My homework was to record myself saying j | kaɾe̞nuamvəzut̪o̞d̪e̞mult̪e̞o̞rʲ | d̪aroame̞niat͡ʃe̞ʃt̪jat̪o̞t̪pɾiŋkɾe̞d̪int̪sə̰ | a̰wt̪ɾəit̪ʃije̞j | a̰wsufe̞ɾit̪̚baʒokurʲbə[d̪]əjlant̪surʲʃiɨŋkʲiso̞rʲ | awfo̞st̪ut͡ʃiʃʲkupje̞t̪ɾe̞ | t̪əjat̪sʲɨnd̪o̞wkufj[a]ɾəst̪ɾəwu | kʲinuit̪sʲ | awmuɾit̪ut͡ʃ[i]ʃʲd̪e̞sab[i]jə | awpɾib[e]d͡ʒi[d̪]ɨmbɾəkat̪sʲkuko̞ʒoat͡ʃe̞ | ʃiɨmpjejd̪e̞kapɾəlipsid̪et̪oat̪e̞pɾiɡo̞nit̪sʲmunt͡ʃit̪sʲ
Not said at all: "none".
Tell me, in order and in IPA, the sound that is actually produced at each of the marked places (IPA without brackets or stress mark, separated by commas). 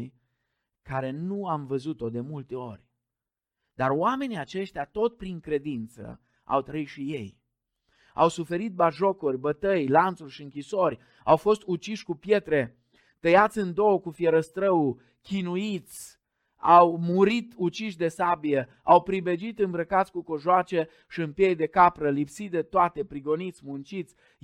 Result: t̪, e, i, i, e, t̪